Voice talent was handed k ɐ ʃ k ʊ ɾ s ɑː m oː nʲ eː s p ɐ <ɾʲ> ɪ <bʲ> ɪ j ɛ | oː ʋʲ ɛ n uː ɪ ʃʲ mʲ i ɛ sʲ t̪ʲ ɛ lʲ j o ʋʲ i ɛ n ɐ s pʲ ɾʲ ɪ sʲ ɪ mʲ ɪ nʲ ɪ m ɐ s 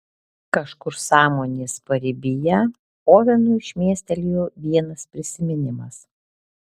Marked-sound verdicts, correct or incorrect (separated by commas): correct, correct